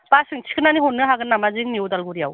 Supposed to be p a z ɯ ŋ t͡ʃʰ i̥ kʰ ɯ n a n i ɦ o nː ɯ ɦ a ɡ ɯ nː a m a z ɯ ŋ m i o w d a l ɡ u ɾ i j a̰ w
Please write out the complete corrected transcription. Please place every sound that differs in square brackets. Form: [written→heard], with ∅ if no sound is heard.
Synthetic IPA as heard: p a [z→s] ɯ ŋ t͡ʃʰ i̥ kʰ ɯ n a n i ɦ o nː ɯ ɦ a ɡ ɯ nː a m a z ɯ ŋ [m→n] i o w d a l ɡ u ɾ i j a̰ w